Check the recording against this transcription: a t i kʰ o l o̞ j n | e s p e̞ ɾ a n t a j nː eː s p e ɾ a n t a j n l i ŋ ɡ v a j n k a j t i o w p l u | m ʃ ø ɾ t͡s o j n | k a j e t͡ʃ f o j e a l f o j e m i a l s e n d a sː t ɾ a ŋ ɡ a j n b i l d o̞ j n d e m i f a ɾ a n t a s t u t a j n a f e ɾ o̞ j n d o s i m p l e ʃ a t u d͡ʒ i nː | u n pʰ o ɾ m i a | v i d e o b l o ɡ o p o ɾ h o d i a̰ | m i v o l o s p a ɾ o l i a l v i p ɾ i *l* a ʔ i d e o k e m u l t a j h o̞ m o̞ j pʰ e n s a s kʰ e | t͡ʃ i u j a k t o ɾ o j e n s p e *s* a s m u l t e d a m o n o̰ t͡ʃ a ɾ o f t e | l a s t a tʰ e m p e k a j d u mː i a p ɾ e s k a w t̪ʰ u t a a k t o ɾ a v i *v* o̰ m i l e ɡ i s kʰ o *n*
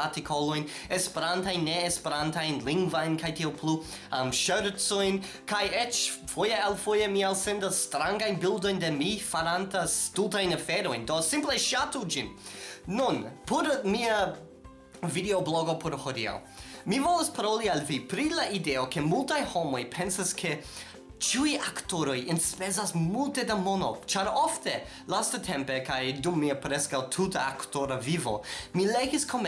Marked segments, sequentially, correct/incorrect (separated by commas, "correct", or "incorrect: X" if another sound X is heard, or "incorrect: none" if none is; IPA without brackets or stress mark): correct, incorrect: z, correct, incorrect: m